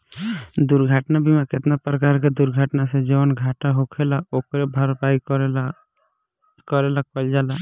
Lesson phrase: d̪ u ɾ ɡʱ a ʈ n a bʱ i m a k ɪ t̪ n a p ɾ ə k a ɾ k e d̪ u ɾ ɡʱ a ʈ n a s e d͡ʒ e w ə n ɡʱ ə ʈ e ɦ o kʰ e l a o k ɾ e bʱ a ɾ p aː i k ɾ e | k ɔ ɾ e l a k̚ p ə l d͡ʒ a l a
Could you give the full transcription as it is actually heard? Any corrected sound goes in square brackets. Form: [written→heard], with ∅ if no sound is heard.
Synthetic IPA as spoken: d̪ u ɾ ɡʱ a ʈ n a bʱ i m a k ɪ t̪ n a p ɾ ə k a ɾ k e d̪ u ɾ ɡʱ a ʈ n a s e d͡ʒ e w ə n ɡʱ [ə→a] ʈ [e→a] ɦ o kʰ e l a o k ɾ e bʱ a ɾ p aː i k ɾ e | k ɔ ɾ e l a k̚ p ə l d͡ʒ a l a